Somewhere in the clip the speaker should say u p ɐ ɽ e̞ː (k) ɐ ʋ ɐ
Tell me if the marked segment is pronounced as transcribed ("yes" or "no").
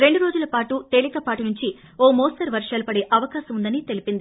no